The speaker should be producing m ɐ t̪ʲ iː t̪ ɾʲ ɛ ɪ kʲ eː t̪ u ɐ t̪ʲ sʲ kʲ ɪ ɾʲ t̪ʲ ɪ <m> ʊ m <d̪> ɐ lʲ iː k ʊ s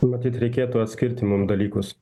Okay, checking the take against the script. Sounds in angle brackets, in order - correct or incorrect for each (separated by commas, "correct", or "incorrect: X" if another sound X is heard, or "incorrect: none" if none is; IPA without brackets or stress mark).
correct, correct